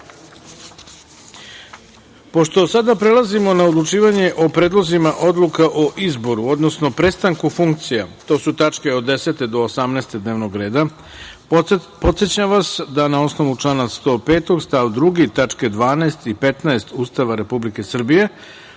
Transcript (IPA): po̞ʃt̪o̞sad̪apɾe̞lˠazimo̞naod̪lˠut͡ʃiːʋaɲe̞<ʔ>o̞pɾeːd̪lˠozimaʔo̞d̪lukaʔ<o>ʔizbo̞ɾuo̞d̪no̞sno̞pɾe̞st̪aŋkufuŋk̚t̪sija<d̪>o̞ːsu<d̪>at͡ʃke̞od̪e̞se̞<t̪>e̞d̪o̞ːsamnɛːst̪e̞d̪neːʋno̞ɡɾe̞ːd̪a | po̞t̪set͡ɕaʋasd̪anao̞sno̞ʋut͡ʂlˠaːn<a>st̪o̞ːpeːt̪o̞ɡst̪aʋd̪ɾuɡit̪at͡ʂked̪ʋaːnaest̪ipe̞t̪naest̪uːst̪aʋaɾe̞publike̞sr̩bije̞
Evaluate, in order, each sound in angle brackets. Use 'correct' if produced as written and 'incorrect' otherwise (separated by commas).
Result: correct, correct, incorrect, incorrect, correct, correct